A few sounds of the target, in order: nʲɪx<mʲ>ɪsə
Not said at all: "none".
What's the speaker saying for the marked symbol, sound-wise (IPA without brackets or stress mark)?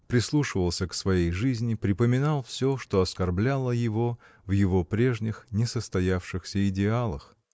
nʲ